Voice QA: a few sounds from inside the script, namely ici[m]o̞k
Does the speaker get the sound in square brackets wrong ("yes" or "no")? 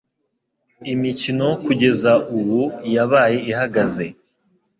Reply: yes